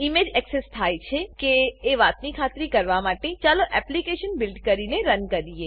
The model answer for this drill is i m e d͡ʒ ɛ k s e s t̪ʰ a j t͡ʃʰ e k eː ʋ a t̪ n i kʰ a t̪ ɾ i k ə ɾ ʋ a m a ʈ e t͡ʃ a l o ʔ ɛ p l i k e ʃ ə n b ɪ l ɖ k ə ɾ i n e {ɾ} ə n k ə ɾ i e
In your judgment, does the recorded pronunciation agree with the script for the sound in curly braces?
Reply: yes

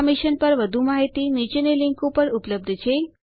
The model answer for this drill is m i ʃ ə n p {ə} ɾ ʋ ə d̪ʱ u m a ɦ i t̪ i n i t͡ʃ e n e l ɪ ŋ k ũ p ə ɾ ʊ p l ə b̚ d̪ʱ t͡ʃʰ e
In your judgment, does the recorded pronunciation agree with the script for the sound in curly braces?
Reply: yes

